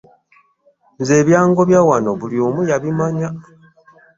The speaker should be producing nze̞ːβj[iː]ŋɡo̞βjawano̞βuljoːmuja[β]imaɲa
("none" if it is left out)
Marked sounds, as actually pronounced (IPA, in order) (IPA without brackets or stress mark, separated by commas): aː, β